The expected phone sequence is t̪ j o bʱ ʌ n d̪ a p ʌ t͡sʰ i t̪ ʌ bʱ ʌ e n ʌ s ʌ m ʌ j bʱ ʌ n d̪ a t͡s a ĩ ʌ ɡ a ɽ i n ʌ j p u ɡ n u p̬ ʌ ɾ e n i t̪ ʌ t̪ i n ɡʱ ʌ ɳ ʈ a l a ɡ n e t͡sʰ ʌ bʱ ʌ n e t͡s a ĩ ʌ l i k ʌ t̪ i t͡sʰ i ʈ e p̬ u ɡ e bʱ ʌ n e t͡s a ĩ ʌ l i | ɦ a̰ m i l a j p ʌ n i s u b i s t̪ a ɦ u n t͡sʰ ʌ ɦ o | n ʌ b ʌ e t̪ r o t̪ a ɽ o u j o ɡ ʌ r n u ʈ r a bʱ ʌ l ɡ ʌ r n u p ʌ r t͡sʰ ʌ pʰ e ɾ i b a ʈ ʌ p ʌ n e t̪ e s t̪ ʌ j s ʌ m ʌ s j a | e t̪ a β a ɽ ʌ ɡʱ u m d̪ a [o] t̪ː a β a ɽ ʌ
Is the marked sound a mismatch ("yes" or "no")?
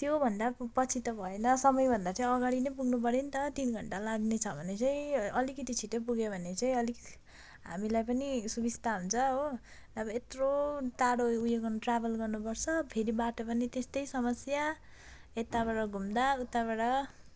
yes